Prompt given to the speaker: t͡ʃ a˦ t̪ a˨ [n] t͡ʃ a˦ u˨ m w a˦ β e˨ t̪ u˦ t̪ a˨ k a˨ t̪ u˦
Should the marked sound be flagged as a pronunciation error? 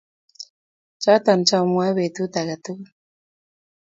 no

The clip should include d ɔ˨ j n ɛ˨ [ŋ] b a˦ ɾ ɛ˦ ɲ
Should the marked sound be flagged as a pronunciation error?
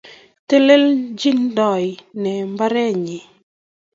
yes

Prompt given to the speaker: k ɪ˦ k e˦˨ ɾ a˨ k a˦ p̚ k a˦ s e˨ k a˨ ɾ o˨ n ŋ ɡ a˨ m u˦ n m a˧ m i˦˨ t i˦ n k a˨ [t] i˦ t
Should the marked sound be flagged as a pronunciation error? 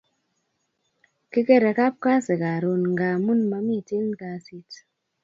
yes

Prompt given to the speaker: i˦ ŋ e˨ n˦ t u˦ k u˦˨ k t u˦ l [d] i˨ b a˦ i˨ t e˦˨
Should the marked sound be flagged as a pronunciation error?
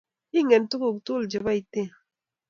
yes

